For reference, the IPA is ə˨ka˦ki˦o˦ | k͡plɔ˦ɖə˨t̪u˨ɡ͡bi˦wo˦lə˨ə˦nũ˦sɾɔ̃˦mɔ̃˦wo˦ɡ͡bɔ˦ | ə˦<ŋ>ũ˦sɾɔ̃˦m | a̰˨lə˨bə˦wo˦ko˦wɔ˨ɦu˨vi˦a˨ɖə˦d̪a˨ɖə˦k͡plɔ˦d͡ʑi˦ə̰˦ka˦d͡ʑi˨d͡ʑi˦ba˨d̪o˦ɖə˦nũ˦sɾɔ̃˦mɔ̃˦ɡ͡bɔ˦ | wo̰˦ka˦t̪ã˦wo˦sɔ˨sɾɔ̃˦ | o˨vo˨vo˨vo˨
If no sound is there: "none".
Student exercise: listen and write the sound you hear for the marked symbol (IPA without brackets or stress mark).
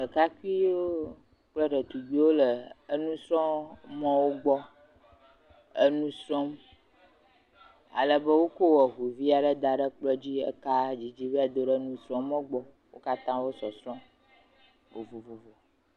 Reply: n